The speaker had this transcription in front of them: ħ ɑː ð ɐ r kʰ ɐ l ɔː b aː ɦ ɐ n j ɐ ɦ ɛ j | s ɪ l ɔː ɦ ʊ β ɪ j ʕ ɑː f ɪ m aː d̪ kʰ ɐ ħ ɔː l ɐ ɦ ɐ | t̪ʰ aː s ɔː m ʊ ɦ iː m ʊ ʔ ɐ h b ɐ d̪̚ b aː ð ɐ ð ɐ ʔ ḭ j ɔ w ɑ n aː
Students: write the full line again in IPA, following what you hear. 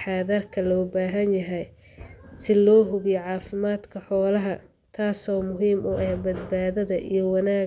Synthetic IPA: ħ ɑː ð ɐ r kʰ ɐ l ɔː b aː ɦ ɐ n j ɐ ɦ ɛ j | s ɪ l ɔː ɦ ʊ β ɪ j ʕ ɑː f ɪ m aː d̪ kʰ ɐ ħ ɔː l ɐ ɦ ɐ | t̪ʰ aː s ɔː m ʊ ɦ iː m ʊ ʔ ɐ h b ɐ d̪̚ b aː ð ɐ ð ɐ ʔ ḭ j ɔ w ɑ n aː